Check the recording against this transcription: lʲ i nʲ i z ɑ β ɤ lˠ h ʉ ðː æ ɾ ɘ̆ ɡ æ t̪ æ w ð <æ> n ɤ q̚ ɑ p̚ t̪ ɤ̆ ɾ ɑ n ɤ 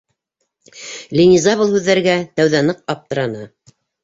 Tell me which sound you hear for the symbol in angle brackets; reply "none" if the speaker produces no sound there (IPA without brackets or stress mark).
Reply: æ